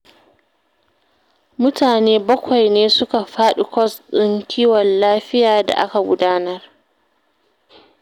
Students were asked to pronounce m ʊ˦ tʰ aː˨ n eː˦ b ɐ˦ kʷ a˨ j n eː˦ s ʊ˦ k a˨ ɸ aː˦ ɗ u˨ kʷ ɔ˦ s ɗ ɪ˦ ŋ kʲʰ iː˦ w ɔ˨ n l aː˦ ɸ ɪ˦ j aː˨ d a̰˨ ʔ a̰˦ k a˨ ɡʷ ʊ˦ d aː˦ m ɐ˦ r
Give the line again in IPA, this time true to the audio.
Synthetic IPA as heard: m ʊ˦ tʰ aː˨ n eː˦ b ɐ˦ kʷ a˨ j n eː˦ s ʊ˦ k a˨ ɸ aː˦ ɗ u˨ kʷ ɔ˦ s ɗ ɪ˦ ŋ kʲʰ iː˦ w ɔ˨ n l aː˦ ɸ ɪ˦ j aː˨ d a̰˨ ʔ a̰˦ k a˨ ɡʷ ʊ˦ d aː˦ n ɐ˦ r